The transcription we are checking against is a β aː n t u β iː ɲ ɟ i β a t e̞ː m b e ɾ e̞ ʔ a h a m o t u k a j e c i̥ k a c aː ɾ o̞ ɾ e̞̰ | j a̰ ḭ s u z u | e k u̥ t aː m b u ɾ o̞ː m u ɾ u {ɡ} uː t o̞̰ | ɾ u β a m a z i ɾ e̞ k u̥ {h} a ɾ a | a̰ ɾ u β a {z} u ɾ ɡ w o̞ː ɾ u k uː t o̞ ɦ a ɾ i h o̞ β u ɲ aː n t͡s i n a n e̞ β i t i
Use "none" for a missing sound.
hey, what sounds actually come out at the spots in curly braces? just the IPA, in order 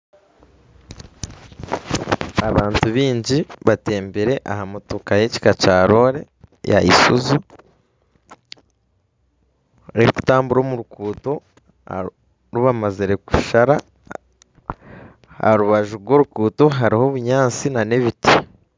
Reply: k, ʃ, ʒ

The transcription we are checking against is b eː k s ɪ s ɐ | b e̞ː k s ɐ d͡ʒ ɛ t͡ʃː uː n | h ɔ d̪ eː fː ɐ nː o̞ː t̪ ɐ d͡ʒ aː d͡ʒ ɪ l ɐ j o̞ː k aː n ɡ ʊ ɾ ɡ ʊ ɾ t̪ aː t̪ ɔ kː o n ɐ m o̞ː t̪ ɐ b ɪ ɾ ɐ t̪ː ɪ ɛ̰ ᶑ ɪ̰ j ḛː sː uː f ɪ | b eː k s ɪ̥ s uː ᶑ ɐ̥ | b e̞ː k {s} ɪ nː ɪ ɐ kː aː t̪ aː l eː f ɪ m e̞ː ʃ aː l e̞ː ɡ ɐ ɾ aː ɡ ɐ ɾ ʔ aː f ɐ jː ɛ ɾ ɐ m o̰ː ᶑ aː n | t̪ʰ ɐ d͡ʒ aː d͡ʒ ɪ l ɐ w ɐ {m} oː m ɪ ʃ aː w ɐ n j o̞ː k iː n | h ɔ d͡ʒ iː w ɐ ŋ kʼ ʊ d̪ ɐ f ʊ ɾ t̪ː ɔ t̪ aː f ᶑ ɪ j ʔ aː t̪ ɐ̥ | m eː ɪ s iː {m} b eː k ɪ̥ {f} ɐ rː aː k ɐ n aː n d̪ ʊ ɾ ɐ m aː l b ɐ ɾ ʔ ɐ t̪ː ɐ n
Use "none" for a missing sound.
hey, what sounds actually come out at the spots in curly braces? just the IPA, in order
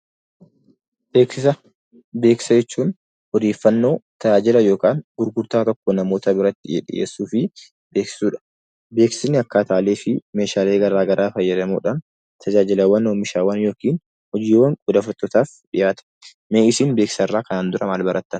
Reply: s, n, n, s

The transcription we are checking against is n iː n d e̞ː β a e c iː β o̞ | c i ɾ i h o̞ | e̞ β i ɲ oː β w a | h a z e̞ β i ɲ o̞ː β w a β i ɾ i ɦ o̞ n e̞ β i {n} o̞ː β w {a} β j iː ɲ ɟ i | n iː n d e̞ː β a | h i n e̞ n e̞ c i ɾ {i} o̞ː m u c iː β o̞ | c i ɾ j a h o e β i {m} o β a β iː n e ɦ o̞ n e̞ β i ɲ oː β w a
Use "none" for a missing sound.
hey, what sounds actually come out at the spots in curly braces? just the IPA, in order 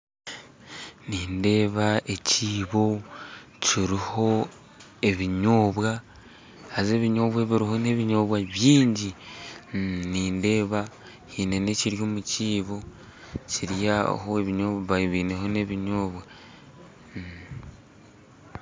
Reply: ɲ, a, j, ɲ

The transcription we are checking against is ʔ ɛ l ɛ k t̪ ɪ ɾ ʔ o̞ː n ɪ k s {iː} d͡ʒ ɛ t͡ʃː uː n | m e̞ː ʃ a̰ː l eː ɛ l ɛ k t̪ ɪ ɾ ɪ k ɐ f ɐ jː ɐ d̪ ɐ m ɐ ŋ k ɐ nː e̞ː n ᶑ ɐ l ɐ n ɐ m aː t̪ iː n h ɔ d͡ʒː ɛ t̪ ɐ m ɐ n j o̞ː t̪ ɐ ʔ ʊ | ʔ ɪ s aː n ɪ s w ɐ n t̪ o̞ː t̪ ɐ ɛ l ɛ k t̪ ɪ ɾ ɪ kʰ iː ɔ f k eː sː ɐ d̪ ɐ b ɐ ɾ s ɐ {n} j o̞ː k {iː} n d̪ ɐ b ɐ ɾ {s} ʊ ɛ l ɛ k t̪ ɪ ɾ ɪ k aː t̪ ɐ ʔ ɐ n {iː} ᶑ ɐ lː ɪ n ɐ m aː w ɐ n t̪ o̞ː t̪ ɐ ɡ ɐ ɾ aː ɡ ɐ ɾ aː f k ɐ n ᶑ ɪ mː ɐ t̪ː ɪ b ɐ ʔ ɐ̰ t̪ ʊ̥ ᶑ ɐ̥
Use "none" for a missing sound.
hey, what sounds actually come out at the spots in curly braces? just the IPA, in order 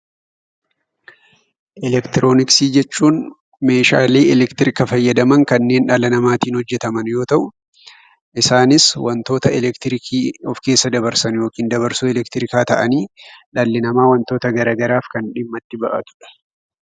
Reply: iː, n, iː, s, iː

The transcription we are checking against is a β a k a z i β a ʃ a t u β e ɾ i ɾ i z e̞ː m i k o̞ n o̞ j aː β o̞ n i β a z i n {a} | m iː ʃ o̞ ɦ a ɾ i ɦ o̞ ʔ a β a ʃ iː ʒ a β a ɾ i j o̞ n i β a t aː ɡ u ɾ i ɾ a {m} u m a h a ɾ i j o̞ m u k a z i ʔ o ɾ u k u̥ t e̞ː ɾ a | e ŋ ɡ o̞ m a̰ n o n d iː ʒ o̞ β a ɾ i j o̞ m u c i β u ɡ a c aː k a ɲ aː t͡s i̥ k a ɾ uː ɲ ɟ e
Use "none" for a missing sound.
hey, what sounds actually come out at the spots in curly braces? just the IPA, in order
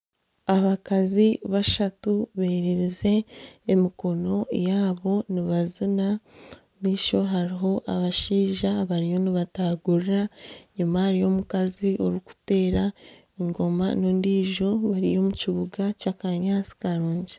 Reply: a, ɲ

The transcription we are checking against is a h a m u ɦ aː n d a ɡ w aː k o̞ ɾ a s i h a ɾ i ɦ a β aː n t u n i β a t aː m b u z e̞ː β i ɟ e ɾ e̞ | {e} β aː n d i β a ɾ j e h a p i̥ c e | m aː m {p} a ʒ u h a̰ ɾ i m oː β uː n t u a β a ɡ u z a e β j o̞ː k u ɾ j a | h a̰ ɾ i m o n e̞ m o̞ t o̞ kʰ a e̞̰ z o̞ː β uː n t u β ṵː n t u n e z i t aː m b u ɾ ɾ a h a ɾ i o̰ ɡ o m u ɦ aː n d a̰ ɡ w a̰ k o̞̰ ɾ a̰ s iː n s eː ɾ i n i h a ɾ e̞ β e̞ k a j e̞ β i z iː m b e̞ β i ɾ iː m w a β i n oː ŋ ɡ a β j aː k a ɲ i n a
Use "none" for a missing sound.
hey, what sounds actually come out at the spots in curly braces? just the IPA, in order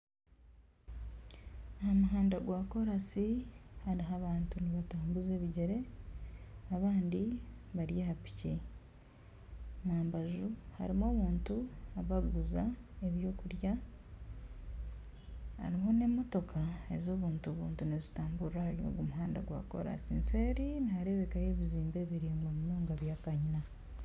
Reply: a, b

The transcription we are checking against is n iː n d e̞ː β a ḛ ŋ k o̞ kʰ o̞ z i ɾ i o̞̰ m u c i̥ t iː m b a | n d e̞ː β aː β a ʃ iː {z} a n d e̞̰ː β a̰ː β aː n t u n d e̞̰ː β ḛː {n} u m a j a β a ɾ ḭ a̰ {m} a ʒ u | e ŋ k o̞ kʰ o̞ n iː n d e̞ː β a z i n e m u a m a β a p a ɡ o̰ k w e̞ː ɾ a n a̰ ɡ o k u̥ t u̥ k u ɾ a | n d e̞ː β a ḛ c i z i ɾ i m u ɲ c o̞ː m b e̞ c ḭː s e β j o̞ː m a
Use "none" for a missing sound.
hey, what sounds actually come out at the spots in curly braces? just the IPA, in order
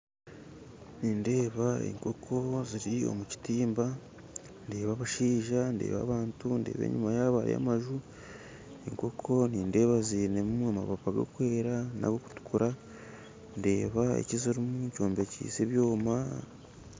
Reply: ʒ, ɲ, m

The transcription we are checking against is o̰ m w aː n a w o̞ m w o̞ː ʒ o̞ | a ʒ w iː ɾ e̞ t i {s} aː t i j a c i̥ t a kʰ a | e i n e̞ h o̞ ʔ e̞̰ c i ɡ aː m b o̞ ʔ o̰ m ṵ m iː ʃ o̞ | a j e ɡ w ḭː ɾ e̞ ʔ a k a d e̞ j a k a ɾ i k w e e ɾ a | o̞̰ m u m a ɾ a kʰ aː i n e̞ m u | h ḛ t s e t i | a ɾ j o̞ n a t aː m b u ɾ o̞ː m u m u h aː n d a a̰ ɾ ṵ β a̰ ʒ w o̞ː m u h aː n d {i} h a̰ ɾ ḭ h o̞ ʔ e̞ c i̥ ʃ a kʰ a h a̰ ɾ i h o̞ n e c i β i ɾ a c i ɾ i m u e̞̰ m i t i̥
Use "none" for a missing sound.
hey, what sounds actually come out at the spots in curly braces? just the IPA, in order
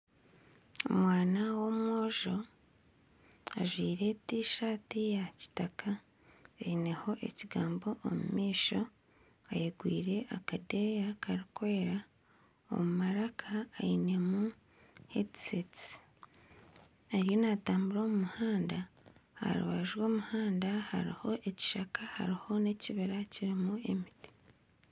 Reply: ʃ, a

